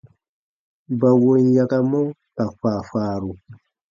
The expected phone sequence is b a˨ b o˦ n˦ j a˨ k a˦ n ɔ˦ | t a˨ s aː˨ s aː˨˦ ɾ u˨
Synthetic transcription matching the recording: b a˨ w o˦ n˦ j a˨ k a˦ m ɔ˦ | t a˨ f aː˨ f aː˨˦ ɾ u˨